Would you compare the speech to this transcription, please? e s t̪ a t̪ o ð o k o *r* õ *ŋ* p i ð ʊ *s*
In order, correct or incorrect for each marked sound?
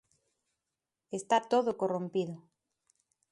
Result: correct, incorrect: m, incorrect: none

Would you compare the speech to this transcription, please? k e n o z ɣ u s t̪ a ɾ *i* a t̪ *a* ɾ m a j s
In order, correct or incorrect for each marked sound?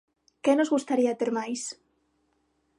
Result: correct, incorrect: e

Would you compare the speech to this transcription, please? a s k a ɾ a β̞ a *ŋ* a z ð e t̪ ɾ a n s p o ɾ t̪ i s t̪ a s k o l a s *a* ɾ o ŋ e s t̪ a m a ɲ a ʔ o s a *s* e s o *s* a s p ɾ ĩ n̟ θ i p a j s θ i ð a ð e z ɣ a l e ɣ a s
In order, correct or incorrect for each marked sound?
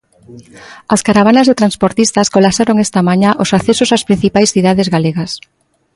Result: incorrect: n, correct, incorrect: θ, correct

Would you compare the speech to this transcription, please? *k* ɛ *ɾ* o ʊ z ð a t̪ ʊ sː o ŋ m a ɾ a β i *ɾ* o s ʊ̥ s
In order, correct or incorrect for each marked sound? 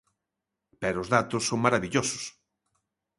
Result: incorrect: p, correct, incorrect: ʎ

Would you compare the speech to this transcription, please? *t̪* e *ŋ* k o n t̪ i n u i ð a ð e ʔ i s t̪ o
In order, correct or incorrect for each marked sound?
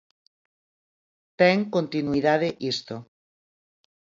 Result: correct, correct

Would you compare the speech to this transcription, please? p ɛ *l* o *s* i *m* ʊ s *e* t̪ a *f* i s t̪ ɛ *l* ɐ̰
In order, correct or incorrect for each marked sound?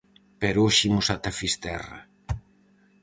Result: incorrect: ɾ, incorrect: ʃ, correct, incorrect: a, correct, incorrect: r

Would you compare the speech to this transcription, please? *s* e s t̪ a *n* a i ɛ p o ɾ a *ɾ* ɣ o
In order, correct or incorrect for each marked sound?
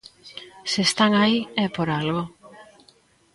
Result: correct, incorrect: ŋ, incorrect: l

